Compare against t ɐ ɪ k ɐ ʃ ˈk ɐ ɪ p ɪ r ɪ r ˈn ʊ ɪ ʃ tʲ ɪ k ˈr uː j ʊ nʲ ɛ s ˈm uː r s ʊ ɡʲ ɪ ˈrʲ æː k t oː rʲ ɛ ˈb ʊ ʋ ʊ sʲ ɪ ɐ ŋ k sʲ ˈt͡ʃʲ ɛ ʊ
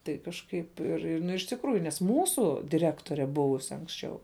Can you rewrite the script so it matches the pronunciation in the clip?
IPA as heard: t ɐ ɪ k ɐ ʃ ˈk ɐ ɪ p ɪ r ɪ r ˈn ʊ ɪ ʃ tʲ ɪ k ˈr uː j ʊ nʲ ɛ s ˈm uː s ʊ dʲ ɪ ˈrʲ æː k t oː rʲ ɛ ˈb ʊ ʋ ʊ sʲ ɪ ɐ ŋ k sʲ ˈt͡ʃʲ ɛ ʊ